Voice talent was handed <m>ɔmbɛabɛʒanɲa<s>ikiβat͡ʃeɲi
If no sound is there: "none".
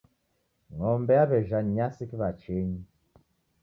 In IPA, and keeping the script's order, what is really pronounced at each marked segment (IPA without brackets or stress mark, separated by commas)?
ŋ, s